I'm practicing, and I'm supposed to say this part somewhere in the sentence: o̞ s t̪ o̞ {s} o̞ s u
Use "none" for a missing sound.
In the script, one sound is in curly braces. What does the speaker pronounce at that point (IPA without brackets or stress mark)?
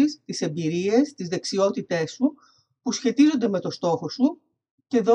x